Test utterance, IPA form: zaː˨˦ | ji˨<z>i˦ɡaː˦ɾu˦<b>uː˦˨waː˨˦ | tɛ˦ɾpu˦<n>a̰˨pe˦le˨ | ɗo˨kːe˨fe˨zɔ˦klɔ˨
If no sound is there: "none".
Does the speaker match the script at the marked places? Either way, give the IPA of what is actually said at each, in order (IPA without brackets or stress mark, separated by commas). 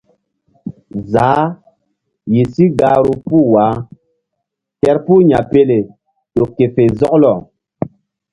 s, p, ɲ